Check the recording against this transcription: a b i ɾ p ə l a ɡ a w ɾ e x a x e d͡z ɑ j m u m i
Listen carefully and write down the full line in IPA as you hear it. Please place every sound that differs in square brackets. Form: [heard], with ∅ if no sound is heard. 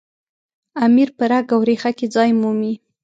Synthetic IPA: a [m] i ɾ p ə [ɾ] a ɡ a w ɾ e x a [k] e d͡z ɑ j m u m i